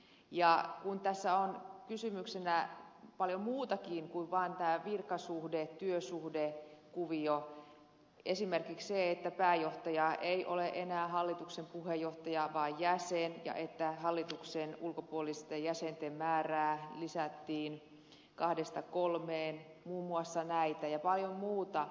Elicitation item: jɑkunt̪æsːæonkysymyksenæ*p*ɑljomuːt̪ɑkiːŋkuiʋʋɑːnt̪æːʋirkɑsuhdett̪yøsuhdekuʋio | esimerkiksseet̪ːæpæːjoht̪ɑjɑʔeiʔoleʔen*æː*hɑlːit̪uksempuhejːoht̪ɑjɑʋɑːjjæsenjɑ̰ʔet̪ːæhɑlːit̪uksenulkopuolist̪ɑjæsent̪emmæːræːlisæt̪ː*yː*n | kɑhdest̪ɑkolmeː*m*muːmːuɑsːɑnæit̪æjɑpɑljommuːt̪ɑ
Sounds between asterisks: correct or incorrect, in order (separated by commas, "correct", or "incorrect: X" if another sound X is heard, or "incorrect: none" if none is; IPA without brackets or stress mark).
correct, correct, incorrect: iː, incorrect: n